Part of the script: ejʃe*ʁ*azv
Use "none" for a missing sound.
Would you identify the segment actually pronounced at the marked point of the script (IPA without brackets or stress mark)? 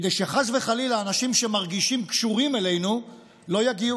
χ